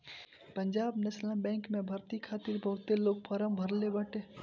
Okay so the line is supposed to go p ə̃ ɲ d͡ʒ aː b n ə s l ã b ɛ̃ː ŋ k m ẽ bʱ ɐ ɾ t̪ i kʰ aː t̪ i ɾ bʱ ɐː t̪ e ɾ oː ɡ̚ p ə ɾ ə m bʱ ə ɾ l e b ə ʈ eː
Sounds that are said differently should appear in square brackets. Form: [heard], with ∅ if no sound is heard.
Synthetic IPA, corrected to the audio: p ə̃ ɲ d͡ʒ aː b n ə s l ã b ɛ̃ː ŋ k m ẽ bʱ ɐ ɾ t̪ i kʰ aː t̪ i ɾ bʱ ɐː t̪ e [l] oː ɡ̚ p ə ɾ ə m bʱ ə ɾ l e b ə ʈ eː